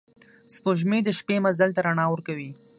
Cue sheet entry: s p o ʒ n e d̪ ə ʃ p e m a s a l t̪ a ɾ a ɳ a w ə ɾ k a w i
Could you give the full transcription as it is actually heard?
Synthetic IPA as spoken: s p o ʒ m e d̪ ə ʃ p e m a z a l t̪ a ɾ a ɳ ɑ w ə ɾ k a w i